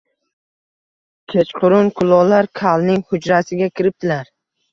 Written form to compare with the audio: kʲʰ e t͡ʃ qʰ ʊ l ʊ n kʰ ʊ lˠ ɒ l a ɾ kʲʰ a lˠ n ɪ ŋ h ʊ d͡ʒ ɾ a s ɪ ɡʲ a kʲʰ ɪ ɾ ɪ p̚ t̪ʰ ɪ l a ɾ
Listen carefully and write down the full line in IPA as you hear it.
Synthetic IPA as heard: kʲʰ e t͡ʃ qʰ ʊ ɾ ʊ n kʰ ʊ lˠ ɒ l a ɾ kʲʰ a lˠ n ɪ ŋ h ʊ d͡ʒ ɾ a s ɪ ɡʲ a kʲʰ ɪ ɾ ɪ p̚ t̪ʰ ɪ l a ɾ